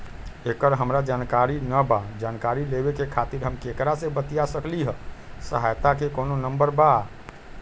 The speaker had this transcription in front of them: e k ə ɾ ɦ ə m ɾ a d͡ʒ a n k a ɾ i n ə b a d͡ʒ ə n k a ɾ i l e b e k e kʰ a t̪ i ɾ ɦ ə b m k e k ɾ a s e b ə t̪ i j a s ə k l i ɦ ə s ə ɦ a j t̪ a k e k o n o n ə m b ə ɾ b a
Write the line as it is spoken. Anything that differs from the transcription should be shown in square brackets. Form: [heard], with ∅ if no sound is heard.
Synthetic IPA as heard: e k ə ɾ ɦ ə m ɾ a d͡ʒ a n k a ɾ i n ə b a d͡ʒ [a] n k a ɾ i l e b e k e kʰ a t̪ i ɾ ɦ ə [∅] m k e k ɾ a s e b ə t̪ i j a s ə k l i ɦ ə s ə ɦ a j t̪ a k e k o n o n ə m b ə ɾ b a